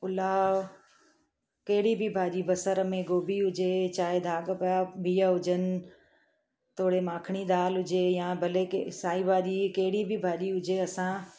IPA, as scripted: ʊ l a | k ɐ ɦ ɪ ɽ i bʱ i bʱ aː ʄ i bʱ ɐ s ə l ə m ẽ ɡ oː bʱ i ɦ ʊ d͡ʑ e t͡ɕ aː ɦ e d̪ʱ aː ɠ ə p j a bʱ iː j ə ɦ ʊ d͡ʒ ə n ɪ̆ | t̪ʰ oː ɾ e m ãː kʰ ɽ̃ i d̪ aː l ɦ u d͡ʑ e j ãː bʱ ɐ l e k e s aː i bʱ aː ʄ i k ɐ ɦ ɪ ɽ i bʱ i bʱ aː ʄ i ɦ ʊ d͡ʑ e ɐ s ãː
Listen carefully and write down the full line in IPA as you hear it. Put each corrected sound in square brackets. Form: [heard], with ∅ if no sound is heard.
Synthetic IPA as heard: ʊ l a | k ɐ ɦ ɪ ɽ i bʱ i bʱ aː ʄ i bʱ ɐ s ə [ɾ] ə m ẽ ɡ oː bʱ i ɦ ʊ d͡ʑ e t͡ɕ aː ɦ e d̪ʱ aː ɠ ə p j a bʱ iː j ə ɦ ʊ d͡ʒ ə n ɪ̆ | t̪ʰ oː [ɽ] e m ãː kʰ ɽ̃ i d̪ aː l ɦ [ʊ] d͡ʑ e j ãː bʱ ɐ l e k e s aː i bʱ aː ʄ i k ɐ ɦ ɪ ɽ i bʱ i bʱ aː ʄ i ɦ ʊ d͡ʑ e ɐ s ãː